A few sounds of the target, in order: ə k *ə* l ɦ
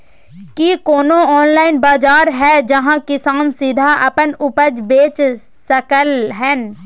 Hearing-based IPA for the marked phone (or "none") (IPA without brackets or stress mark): ə